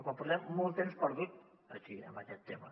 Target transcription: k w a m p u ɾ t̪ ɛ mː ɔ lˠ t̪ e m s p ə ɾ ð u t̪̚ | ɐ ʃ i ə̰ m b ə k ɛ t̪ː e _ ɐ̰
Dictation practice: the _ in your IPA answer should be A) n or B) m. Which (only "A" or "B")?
B